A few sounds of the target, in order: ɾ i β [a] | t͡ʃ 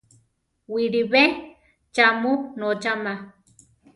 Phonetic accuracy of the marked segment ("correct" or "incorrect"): incorrect